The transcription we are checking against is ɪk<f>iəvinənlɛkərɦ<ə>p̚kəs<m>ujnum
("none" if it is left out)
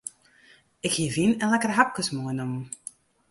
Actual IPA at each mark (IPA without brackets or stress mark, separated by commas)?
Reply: h, a, m